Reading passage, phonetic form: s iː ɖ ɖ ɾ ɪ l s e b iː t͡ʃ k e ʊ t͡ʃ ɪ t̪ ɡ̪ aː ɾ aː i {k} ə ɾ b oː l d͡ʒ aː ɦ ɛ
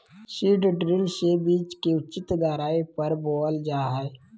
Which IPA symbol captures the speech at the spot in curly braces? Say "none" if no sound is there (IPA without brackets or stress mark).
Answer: p